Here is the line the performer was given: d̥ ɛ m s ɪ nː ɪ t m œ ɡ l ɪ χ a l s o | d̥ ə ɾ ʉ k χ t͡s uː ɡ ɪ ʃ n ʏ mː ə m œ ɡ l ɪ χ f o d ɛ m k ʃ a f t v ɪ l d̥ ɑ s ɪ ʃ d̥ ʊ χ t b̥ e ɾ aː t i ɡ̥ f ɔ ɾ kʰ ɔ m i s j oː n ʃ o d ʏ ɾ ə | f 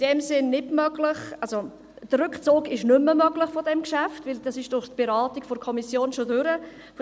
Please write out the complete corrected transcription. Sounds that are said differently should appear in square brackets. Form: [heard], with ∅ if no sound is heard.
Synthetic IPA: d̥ ɛ m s ɪ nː ɪ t m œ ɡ l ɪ χ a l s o | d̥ ə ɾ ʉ k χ t͡s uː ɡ ɪ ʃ n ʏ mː ə m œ ɡ l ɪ χ f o d ɛ m k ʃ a f t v ɪ l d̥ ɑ s ɪ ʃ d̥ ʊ χ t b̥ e ɾ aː t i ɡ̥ f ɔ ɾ kʰ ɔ m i s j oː n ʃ o d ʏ ɾ ə | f